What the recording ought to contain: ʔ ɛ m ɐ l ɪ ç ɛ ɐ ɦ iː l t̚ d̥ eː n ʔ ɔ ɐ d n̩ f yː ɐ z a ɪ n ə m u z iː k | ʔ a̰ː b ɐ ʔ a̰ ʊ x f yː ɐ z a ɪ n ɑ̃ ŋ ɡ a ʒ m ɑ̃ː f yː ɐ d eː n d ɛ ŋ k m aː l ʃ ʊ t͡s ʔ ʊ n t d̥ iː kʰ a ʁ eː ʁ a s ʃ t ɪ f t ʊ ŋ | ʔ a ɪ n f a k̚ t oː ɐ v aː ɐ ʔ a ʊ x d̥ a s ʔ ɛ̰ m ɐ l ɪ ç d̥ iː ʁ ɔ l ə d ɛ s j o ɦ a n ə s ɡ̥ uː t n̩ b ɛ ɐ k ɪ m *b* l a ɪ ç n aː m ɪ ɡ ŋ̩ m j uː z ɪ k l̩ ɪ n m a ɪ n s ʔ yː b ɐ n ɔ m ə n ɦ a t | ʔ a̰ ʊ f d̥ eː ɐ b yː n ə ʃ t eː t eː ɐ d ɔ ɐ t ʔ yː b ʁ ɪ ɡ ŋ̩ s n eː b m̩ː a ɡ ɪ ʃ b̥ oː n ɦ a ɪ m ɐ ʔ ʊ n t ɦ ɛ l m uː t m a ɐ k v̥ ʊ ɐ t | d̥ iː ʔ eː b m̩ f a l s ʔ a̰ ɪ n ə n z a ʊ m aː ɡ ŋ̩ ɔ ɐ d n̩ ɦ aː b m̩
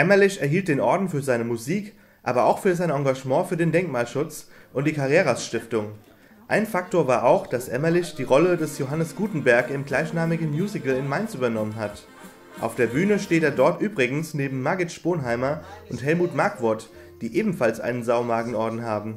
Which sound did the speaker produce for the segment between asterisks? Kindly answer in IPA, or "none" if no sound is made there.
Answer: ɡ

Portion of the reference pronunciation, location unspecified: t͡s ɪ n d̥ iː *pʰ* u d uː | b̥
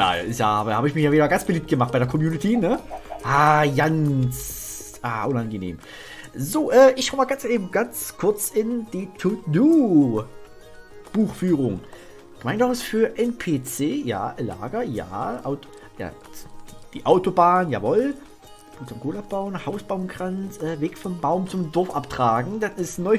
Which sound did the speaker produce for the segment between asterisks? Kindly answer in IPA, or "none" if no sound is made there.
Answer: tʰ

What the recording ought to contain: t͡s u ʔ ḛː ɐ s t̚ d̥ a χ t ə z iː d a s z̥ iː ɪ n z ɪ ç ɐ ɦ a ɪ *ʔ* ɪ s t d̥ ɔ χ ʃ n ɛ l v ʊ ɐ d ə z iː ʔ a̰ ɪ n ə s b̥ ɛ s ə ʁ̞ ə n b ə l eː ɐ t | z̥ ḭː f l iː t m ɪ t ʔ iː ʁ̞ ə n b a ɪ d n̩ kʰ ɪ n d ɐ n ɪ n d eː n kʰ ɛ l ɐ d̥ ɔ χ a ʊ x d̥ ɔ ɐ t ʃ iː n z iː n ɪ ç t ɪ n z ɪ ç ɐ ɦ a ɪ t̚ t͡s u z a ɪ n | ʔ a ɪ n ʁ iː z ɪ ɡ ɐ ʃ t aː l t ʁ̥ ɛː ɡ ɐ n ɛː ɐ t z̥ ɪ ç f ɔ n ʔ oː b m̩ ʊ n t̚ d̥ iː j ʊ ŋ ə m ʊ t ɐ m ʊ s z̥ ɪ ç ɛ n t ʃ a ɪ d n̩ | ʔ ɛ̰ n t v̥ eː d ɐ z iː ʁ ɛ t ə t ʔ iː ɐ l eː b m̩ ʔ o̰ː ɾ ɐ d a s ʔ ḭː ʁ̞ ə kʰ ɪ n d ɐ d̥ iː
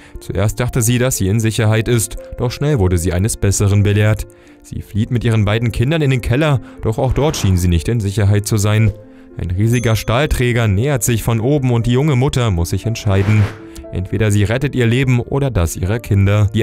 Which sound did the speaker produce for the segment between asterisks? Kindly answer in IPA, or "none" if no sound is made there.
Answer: t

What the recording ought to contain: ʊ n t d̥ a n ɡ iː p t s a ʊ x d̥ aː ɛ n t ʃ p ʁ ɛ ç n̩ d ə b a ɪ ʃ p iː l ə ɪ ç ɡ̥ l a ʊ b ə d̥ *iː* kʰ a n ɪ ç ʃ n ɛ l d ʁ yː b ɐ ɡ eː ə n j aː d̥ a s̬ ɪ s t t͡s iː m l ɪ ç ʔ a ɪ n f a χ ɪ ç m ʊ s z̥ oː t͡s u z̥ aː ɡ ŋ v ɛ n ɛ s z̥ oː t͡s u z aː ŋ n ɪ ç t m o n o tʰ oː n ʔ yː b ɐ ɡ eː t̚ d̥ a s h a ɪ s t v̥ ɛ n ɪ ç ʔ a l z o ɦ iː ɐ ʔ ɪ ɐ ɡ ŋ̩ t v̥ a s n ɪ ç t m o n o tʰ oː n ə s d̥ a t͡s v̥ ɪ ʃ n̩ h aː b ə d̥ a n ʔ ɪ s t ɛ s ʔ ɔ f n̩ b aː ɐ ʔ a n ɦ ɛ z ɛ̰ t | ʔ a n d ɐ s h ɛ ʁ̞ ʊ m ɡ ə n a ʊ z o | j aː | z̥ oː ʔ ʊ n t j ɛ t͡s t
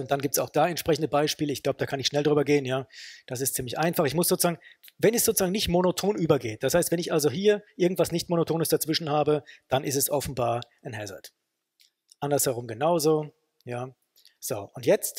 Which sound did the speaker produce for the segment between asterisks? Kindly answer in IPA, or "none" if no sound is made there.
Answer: aː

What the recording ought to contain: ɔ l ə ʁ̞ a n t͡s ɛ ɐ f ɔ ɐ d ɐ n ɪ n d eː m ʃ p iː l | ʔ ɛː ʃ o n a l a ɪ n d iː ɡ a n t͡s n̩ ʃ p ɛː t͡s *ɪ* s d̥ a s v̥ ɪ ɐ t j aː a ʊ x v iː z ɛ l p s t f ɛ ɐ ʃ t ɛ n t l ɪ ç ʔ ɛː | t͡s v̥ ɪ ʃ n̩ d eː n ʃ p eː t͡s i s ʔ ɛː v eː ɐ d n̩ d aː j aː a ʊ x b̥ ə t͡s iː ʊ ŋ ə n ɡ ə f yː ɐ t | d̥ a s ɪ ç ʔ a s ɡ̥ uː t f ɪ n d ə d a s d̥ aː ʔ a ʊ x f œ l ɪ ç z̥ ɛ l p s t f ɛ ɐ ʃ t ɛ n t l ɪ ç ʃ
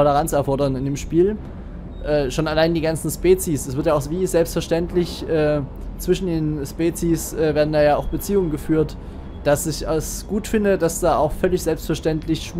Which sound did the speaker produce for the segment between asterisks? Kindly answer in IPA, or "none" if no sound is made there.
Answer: i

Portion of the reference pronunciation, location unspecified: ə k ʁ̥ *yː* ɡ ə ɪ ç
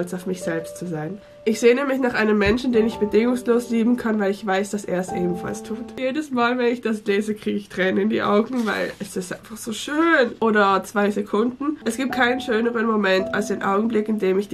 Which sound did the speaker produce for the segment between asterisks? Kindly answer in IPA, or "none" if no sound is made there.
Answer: iː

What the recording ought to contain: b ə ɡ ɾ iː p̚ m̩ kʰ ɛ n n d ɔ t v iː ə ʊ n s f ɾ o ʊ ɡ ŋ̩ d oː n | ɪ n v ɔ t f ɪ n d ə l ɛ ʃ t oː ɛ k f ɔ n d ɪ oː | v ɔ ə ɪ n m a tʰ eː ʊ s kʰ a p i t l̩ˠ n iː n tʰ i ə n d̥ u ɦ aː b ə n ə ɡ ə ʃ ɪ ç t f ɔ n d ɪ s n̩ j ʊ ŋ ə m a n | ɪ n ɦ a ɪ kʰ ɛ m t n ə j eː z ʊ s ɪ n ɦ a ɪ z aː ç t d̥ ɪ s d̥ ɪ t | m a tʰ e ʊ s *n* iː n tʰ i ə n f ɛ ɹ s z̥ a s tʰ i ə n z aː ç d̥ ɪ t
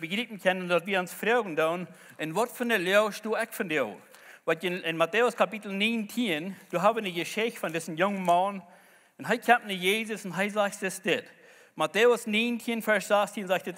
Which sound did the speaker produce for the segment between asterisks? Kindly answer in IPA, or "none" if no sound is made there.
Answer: n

